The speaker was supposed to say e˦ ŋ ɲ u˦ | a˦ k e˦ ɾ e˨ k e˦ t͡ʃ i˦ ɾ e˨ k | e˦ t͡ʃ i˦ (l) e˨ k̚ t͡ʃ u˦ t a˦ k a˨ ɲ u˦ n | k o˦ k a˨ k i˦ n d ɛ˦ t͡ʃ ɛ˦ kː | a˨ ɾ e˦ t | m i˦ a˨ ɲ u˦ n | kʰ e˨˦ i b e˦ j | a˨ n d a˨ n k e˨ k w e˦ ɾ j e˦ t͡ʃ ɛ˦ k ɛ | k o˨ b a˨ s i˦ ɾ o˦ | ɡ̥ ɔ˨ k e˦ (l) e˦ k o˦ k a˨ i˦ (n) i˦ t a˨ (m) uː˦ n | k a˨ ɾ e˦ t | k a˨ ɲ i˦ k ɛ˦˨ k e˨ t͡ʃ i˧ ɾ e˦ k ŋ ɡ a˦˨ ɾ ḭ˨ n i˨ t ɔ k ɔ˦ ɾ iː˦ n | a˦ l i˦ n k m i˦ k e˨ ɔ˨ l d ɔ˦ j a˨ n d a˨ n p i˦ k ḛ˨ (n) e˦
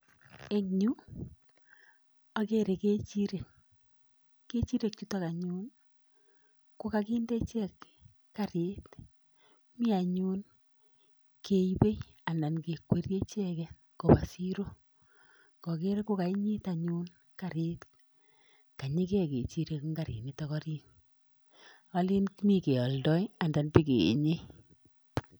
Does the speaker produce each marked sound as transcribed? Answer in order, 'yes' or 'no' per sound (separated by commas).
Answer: no, no, no, no, no